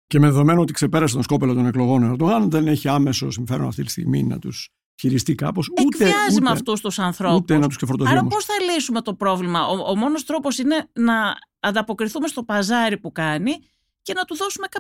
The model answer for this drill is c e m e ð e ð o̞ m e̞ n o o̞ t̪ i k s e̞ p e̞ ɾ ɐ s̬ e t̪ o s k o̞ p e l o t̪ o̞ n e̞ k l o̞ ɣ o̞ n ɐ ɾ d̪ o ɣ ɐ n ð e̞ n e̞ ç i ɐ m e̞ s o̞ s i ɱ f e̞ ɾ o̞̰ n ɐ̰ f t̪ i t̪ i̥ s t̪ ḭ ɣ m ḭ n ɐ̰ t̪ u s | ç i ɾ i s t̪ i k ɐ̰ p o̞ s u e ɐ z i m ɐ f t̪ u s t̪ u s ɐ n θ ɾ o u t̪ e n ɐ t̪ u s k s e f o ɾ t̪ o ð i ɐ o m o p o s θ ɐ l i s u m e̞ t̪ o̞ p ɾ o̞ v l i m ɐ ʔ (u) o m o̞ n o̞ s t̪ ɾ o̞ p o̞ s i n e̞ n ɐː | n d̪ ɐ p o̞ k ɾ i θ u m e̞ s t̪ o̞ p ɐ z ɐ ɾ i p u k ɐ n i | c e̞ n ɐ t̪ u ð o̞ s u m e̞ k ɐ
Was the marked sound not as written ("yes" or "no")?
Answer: yes